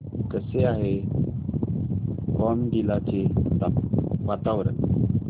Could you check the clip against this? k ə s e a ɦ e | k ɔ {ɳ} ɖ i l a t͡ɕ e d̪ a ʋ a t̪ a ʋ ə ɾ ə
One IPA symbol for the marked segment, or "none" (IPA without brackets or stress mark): m